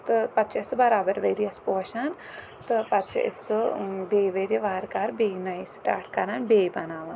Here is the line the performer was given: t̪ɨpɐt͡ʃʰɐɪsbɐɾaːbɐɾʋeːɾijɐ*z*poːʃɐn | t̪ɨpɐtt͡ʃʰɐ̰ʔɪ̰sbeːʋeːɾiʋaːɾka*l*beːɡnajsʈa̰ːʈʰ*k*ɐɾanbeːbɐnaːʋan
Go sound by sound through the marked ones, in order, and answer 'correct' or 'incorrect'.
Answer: incorrect, incorrect, correct

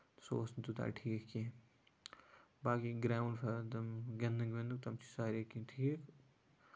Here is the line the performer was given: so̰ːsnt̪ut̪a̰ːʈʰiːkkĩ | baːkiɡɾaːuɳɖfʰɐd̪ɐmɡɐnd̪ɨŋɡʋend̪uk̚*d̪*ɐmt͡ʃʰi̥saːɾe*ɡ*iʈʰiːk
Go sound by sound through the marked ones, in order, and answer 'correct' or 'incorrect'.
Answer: incorrect, incorrect

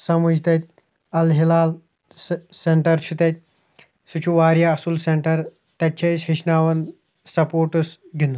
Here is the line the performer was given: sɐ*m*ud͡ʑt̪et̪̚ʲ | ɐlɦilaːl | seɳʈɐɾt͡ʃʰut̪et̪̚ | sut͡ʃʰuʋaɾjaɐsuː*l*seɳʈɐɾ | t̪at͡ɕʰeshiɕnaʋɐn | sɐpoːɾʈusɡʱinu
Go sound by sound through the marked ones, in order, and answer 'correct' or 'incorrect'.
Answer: correct, correct

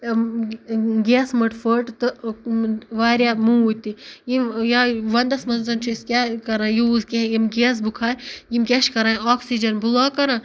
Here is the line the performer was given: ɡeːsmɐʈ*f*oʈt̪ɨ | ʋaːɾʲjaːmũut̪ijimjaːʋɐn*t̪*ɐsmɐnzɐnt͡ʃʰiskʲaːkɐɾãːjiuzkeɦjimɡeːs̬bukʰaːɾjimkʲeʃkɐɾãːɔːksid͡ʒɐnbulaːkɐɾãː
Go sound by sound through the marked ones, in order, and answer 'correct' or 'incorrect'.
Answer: correct, incorrect

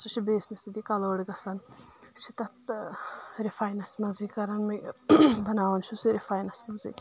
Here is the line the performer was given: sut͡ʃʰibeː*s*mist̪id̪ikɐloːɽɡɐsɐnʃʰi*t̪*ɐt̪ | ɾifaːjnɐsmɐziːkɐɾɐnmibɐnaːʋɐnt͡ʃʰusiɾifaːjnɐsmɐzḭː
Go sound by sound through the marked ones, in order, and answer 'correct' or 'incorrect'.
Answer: correct, correct

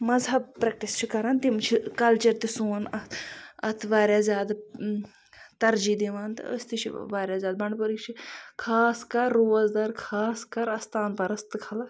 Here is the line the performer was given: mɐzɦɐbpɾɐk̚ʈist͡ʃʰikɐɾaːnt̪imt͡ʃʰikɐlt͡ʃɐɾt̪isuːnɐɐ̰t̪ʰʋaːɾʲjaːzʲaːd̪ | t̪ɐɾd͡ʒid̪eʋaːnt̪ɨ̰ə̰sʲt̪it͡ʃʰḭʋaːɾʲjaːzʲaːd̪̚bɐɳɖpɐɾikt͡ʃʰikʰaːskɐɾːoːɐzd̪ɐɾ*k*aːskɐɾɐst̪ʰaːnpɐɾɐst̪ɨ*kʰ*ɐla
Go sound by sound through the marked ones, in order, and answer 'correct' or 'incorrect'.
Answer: incorrect, correct

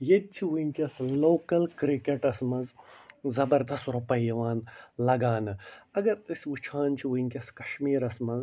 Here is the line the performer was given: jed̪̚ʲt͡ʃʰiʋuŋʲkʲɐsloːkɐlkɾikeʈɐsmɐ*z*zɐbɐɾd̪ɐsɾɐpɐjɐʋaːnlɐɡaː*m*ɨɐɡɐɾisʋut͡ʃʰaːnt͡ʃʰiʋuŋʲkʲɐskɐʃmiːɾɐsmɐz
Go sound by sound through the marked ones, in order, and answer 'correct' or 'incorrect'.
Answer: correct, incorrect

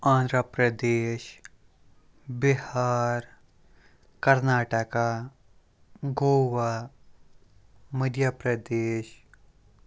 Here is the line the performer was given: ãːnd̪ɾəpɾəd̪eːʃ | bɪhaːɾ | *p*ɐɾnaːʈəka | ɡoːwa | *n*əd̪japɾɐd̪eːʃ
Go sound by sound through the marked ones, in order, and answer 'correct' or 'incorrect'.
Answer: incorrect, incorrect

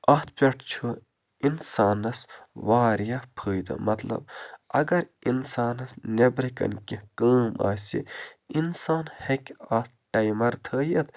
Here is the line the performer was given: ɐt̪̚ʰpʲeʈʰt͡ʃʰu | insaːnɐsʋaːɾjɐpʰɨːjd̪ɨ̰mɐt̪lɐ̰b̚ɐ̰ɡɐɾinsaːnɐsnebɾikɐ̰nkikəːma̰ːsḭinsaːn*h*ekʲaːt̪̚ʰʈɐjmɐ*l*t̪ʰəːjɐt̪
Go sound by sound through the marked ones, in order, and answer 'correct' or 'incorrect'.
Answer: correct, incorrect

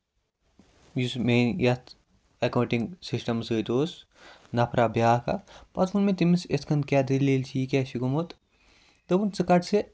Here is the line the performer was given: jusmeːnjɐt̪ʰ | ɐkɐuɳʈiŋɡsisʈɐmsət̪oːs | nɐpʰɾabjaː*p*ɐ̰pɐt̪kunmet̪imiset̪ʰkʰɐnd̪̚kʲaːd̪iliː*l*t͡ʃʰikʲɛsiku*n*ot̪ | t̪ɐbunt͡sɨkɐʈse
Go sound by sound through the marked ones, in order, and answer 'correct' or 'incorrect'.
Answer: incorrect, correct, incorrect

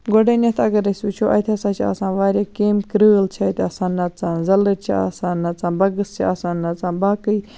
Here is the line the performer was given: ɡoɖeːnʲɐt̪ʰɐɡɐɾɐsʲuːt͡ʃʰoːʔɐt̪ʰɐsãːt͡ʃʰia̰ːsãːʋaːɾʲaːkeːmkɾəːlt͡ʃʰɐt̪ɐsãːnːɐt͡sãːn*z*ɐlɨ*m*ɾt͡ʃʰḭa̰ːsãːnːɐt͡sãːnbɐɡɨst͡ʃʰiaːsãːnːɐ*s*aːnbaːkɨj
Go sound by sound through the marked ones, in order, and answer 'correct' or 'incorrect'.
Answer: correct, incorrect, incorrect

